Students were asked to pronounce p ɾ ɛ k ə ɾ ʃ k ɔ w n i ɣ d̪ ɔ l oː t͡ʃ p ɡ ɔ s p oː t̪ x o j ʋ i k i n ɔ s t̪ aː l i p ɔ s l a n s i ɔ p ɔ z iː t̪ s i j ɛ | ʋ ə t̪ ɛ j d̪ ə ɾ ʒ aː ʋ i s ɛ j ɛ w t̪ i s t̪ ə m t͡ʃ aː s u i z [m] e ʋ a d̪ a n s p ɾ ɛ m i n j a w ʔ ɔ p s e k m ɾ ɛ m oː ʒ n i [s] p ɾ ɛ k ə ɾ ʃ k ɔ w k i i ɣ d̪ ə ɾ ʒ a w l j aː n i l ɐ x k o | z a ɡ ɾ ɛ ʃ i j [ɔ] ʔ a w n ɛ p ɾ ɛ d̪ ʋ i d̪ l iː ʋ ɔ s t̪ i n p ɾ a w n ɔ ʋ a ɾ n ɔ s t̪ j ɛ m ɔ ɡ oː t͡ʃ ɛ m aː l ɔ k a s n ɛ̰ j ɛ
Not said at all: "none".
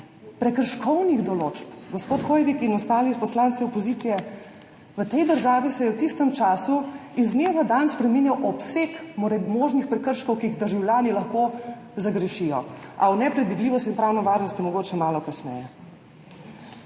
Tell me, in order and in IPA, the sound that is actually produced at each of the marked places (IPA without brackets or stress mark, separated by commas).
n, x, ɔ